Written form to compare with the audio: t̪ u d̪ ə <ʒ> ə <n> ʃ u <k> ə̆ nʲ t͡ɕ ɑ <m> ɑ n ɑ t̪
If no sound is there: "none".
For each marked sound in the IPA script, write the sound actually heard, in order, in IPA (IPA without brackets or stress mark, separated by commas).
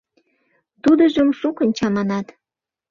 ʒ, m, k, m